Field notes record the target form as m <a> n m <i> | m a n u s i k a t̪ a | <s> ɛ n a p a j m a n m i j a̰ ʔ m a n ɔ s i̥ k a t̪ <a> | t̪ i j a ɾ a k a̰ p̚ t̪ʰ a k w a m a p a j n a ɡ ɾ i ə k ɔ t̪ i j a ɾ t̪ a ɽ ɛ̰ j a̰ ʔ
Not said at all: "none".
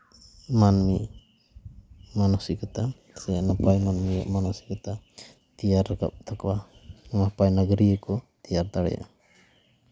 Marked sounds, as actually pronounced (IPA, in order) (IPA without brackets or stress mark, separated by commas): a, i, s, a